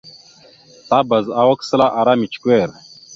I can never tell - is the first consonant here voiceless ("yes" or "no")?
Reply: yes